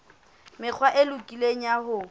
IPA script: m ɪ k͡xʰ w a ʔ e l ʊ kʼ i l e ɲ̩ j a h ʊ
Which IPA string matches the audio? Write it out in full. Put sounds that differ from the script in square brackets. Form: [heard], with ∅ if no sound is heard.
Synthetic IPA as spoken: m ɪ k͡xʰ w a ʔ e l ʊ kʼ i l e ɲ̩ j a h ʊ